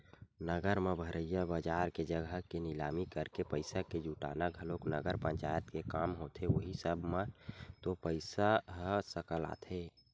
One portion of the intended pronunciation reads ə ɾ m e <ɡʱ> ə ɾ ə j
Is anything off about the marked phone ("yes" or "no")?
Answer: yes